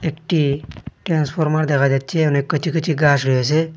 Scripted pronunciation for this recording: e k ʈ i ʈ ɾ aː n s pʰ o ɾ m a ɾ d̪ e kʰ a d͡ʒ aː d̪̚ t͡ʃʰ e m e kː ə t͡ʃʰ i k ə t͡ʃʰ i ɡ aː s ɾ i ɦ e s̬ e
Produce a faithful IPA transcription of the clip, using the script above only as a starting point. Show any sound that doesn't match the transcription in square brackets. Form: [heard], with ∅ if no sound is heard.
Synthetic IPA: e k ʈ i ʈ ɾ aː n s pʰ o ɾ m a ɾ d̪ e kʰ a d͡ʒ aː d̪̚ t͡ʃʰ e [n] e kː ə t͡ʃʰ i k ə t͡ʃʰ i ɡ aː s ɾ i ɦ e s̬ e